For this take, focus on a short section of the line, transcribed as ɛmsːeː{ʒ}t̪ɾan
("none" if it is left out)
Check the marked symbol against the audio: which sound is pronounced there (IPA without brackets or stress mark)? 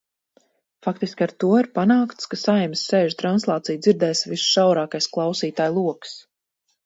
ʒ